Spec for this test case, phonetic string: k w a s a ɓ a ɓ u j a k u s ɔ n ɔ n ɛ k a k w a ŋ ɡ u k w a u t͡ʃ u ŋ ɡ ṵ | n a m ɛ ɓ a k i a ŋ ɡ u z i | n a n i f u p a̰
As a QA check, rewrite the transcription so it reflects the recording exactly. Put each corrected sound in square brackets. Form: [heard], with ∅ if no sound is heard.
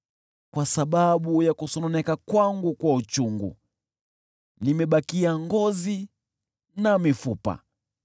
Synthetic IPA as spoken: k w a s a ɓ a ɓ u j a k u s ɔ n ɔ n ɛ k a k w a ŋ ɡ u k w a u t͡ʃ u ŋ ɡ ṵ | n [i] m ɛ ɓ a k i a ŋ ɡ [ɔ] z i | n a [m] i f u p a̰